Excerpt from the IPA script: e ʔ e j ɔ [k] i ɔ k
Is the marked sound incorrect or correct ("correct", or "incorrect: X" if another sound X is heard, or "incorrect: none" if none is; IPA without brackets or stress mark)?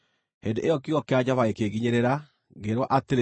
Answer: correct